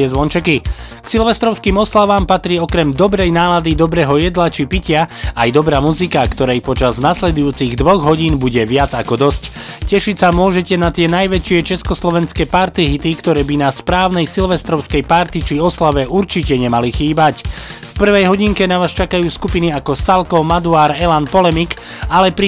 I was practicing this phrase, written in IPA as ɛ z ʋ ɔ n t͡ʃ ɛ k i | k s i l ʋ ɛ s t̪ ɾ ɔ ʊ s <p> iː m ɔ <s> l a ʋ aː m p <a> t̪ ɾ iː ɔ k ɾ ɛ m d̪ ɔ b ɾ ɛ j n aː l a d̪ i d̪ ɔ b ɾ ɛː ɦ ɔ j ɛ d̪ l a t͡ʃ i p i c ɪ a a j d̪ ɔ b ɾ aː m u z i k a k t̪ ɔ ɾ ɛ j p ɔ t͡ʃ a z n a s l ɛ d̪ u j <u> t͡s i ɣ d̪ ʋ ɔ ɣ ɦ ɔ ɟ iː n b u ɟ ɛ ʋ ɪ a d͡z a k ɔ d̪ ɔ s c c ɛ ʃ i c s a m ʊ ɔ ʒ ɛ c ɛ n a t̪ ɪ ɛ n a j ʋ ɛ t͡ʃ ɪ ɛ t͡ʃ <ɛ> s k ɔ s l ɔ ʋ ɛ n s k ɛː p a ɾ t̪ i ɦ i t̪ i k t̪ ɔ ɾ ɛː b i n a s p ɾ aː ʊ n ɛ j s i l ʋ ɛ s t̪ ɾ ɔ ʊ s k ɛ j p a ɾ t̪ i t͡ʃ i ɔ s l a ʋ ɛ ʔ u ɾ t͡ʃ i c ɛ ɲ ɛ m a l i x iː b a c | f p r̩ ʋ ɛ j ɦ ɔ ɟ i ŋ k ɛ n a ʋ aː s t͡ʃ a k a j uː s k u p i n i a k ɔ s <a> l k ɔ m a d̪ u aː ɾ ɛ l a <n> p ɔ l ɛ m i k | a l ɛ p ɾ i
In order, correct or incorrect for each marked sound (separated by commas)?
incorrect, correct, correct, incorrect, correct, correct, correct